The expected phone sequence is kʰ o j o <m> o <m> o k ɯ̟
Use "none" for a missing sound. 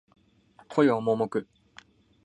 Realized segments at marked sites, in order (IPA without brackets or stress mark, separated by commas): m, m